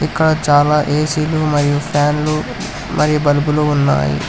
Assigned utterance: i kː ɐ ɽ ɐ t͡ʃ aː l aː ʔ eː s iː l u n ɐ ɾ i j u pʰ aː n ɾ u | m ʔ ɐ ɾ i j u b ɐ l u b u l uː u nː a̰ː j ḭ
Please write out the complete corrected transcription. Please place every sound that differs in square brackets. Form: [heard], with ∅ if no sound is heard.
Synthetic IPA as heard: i kː ɐ ɽ ɐ t͡ʃ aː l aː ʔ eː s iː l u [m] ɐ ɾ i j u pʰ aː n [l] u | m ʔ ɐ ɾ i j u b ɐ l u b u l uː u nː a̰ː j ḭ